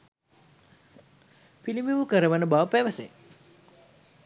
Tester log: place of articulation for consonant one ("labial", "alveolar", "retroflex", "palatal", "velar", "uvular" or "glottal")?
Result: labial